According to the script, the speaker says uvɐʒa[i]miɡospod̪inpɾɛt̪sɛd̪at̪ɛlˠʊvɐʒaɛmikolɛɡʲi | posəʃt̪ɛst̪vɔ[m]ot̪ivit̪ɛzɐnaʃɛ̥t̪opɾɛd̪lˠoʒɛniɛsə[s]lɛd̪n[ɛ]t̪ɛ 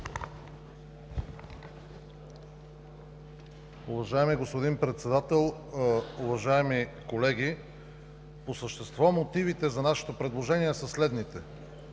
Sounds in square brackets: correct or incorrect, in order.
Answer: incorrect, correct, correct, incorrect

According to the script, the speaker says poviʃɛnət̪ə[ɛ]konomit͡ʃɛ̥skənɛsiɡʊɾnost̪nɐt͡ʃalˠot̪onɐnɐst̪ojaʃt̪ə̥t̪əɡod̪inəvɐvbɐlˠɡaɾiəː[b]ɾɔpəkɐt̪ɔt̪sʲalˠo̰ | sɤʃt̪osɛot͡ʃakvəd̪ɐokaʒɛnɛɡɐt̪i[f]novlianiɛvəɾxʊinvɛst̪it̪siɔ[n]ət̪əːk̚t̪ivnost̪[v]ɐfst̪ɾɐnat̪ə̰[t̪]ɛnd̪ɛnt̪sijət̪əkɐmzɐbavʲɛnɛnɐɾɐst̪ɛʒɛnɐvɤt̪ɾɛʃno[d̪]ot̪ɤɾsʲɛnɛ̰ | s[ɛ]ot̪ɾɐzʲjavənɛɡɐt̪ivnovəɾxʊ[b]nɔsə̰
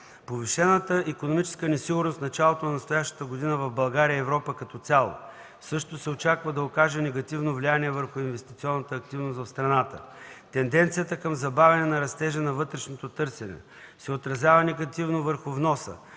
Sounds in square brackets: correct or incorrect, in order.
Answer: incorrect, incorrect, incorrect, incorrect, correct, correct, incorrect, correct, incorrect

